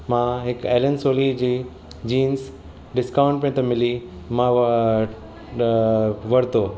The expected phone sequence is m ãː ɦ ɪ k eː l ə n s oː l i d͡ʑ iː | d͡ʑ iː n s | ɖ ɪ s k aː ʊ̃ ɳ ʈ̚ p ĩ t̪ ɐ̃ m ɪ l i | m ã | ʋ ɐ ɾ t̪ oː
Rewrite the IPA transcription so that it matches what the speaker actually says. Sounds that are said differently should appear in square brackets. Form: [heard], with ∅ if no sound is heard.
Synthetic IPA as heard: m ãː ɦ ɪ k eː l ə n s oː l i d͡ʑ iː | d͡ʑ iː n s | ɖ ɪ s k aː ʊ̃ ɳ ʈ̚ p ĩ t̪ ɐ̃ m ɪ l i | m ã | ʋ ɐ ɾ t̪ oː